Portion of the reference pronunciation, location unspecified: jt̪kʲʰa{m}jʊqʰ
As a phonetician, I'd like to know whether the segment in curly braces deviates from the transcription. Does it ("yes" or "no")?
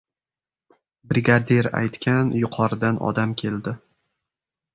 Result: yes